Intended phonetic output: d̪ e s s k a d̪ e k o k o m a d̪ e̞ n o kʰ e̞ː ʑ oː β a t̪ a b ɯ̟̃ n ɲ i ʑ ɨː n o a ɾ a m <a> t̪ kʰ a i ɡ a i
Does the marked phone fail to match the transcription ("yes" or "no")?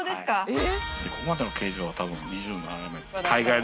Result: yes